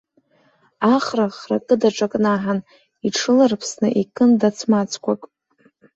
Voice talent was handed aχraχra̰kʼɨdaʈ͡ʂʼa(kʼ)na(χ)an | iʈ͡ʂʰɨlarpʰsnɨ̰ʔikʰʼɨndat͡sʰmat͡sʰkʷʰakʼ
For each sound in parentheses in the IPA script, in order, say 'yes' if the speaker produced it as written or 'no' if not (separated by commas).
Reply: yes, no